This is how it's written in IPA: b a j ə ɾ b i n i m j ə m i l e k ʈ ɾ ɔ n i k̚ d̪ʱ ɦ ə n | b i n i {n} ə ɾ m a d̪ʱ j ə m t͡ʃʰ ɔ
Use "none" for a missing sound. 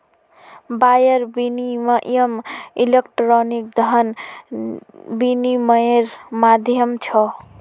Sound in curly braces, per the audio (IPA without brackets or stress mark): m